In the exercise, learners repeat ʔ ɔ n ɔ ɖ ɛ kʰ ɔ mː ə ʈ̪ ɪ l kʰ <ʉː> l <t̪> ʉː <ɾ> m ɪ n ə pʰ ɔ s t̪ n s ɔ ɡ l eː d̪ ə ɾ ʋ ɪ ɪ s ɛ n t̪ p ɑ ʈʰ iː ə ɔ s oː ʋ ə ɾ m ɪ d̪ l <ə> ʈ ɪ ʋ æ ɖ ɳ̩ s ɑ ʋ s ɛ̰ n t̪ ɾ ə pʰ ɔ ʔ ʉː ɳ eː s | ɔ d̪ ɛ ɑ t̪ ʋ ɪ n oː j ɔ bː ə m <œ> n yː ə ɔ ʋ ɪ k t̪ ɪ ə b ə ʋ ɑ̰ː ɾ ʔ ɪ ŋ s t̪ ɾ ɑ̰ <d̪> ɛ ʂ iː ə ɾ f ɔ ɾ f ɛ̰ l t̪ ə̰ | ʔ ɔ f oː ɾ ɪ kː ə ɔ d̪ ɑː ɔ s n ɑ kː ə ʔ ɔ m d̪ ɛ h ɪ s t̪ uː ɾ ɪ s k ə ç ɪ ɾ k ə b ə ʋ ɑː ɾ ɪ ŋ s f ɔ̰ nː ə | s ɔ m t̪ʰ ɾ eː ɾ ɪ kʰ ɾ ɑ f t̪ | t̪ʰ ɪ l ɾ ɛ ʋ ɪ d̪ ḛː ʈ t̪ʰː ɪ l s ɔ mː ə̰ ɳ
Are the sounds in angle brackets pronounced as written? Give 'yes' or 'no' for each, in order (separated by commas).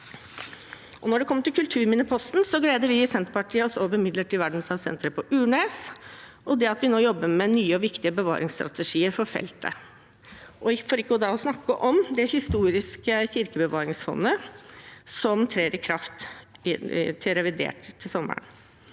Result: no, no, yes, yes, no, no